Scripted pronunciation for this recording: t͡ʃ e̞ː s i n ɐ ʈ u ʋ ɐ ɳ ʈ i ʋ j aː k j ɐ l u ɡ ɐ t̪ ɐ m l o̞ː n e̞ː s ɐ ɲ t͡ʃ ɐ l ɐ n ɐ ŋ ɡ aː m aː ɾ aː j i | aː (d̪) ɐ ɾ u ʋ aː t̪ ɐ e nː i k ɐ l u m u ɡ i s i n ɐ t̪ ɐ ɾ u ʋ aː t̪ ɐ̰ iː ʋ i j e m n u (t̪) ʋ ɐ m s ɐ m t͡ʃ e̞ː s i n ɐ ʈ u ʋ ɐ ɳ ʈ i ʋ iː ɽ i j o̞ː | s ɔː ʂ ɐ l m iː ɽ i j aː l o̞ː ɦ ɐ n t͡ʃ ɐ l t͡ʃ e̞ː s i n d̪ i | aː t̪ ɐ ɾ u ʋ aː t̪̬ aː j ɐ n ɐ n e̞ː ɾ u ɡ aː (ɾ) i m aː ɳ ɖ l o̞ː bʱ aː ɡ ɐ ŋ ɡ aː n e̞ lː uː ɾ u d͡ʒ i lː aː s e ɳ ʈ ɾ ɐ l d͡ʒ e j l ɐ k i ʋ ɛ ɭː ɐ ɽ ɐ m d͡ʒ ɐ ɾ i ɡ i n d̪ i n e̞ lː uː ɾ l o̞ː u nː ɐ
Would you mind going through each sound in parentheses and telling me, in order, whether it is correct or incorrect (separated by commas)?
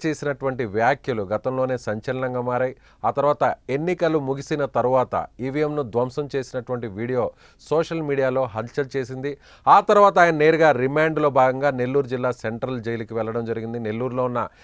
incorrect, incorrect, correct